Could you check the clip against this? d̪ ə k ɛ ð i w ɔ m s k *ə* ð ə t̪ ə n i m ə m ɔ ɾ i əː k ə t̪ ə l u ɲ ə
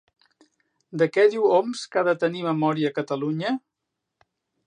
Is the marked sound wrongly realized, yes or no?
yes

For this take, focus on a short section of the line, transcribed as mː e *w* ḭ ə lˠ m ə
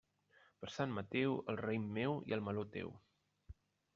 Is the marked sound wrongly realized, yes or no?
no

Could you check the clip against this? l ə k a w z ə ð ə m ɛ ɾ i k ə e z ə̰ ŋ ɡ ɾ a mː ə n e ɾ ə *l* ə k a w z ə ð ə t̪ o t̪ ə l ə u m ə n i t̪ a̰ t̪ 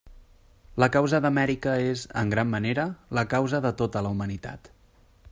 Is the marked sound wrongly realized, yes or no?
no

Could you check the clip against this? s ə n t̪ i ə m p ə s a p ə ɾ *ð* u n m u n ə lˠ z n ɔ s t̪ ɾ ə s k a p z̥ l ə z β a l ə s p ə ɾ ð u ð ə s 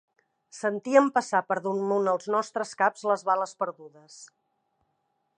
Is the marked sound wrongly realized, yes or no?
no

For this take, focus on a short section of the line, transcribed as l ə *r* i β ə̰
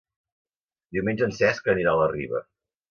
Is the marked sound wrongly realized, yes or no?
no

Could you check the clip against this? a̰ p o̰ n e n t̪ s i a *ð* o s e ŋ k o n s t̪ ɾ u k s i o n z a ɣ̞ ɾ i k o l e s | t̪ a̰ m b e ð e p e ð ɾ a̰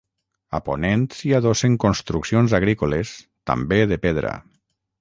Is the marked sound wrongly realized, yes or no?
no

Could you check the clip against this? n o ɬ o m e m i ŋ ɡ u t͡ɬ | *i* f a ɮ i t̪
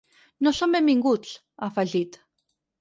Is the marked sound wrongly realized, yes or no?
yes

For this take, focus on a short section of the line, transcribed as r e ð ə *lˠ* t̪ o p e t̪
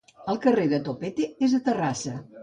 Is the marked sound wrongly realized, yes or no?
yes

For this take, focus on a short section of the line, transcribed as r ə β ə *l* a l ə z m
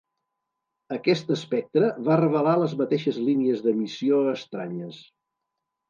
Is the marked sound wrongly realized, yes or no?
no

